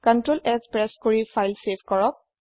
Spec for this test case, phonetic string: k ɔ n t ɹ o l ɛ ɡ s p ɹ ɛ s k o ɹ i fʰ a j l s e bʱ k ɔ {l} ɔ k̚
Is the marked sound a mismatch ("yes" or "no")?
yes